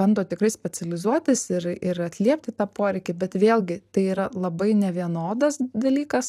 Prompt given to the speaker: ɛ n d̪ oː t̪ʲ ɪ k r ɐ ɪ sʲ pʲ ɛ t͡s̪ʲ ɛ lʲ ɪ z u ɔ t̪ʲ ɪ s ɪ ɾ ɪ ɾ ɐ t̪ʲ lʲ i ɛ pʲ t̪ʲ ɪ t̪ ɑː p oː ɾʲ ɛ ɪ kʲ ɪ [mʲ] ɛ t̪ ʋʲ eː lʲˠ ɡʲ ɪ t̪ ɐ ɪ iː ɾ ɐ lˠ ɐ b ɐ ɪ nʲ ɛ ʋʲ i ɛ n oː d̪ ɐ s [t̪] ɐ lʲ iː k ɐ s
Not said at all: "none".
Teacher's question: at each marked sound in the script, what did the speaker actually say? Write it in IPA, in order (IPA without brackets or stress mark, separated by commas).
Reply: bʲ, d̪